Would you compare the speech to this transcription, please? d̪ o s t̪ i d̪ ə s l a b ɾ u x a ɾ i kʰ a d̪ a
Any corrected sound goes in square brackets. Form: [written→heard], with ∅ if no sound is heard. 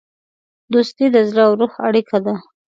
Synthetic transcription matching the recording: d̪ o s t̪ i d̪ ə [s→z] l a [b→w] ɾ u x a [ɾ→ɽ] i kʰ a d̪ a